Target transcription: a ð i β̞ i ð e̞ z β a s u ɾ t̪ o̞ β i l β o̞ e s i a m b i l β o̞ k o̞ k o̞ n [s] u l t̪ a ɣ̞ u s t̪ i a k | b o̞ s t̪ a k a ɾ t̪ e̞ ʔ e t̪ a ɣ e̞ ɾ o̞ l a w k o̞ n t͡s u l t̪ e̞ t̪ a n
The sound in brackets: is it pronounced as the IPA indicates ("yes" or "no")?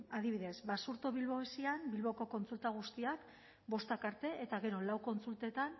no